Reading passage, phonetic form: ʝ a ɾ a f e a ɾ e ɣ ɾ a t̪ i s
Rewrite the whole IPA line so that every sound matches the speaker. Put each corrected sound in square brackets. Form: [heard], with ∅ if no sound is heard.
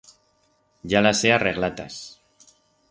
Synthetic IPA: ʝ a [l] a [s] e a [r] e ɣ [l] a t̪ [a] s